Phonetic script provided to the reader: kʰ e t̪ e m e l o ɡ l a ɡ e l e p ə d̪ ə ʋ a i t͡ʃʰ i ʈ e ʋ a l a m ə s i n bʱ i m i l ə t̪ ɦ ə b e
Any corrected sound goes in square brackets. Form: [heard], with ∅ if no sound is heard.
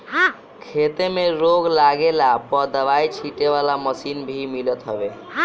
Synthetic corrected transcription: kʰ e t̪ e m e [ɾ] o ɡ l a ɡ e l [a] p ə d̪ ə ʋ a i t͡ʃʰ i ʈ e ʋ a l a m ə s i n bʱ i m i l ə t̪ ɦ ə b e